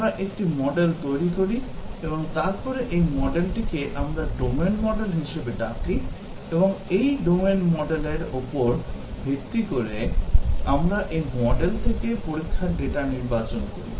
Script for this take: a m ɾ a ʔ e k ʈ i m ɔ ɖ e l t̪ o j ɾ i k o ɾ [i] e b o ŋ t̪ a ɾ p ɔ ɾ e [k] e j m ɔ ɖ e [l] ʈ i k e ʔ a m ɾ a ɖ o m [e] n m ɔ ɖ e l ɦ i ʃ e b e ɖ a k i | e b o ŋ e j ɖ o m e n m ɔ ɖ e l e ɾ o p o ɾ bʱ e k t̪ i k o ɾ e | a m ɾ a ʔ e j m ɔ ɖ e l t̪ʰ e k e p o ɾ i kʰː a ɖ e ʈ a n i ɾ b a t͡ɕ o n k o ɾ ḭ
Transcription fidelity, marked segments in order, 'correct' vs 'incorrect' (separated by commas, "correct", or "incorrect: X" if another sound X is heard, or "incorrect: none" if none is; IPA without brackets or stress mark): correct, incorrect: ʔ, correct, correct